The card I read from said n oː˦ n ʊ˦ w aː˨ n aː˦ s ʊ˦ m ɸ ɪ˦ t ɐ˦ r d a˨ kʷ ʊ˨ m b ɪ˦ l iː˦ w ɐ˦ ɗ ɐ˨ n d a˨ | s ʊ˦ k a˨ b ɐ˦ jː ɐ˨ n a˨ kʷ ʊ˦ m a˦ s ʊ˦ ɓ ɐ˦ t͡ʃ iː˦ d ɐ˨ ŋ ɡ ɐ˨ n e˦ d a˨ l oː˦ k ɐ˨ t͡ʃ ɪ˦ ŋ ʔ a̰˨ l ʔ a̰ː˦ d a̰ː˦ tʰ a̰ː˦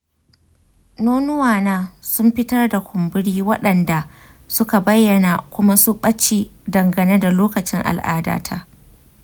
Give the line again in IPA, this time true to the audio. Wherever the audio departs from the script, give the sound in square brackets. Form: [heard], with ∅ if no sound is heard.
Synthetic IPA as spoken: n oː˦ n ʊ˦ w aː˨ n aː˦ s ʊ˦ m ɸ ɪ˦ t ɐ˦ r d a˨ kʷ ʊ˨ m b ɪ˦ [ɽ] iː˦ w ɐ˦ ɗ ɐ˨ n d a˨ | s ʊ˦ k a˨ b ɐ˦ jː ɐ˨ n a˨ kʷ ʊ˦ m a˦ s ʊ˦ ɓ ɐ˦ t͡ʃ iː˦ d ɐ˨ ŋ ɡ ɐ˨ n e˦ d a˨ l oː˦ k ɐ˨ t͡ʃ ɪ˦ ŋ ʔ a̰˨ l ʔ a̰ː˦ d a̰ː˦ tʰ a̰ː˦